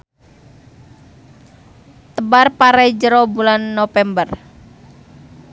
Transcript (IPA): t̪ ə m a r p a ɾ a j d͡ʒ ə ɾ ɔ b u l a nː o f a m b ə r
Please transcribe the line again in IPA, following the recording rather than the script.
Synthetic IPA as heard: t̪ ə b a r p a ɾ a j d͡ʒ ə ɾ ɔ b u l a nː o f ɛ m b ə r